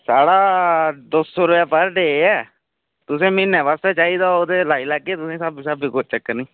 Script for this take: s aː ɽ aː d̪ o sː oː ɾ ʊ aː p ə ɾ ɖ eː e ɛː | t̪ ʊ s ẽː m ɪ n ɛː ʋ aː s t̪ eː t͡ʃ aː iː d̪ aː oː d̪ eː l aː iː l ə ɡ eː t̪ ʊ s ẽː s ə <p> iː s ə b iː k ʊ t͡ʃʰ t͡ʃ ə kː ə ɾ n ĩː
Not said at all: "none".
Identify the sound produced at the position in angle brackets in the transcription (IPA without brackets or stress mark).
b